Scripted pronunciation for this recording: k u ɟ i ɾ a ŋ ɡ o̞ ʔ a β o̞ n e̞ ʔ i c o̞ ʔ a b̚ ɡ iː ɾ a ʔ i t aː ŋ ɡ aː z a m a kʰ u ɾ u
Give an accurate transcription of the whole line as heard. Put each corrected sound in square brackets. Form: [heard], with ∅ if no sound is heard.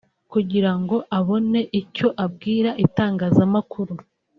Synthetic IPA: k u ɟ i ɾ a ŋ ɡ o̞ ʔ a β o̞ n e̞ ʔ i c o̞ ʔ a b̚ ɡ iː ɾ a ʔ i t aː ŋ ɡ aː z a m a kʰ u ɾ u